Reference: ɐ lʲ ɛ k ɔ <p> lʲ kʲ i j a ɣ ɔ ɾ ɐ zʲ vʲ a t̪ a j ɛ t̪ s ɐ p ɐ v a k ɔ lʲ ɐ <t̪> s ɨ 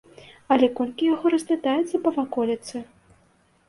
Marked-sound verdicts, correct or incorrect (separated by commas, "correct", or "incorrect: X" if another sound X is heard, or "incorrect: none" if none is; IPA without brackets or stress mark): incorrect: none, correct